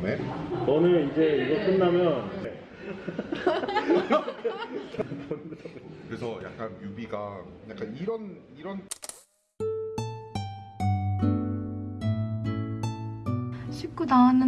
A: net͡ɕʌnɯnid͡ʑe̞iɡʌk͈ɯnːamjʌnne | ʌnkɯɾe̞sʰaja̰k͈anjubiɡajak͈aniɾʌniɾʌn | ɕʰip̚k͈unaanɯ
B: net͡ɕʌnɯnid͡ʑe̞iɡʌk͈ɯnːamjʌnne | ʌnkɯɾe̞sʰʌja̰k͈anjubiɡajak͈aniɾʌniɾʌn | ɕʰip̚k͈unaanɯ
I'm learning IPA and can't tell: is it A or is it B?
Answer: B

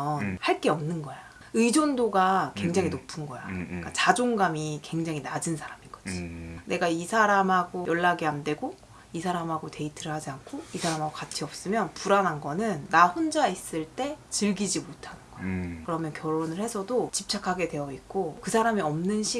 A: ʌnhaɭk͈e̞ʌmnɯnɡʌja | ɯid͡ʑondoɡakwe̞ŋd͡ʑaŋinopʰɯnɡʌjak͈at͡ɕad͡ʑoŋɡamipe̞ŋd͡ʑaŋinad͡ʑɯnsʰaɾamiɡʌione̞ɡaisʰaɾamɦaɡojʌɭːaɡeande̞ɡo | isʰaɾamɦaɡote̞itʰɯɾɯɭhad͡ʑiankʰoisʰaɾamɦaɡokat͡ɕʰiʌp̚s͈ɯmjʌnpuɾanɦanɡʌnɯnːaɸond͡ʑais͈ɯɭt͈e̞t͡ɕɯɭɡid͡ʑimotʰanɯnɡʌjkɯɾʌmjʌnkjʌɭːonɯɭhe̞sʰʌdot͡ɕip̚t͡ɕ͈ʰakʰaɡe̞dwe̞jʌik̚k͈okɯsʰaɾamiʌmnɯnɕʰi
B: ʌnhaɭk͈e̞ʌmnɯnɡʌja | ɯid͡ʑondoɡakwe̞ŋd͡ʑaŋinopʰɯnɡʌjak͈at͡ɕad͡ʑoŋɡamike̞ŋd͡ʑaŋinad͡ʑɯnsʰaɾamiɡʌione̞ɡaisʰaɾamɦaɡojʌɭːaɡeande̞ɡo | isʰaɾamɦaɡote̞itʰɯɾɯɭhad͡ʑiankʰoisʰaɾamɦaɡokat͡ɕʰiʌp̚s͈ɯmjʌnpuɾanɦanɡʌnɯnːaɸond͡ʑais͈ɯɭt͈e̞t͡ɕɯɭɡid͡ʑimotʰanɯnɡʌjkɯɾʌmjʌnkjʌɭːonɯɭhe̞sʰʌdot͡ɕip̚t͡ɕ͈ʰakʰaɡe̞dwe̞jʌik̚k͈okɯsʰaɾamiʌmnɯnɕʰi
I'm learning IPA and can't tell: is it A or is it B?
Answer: B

